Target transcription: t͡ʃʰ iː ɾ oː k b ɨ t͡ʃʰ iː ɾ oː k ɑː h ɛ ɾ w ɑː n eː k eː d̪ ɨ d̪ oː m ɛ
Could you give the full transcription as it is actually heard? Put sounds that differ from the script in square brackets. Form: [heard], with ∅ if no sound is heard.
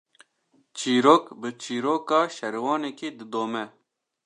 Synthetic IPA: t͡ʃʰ iː ɾ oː k b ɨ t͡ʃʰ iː ɾ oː k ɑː [ʃ] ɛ ɾ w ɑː n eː k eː d̪ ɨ d̪ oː m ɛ

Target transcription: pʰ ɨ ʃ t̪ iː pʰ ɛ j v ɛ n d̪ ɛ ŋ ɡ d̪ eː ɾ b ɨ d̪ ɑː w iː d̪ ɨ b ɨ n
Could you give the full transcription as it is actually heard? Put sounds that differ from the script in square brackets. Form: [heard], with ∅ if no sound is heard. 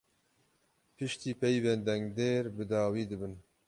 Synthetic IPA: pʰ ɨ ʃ t̪ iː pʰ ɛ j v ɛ n d̪ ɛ ŋ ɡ d̪ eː ɾ b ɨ d̪ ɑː w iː d̪ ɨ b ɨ n

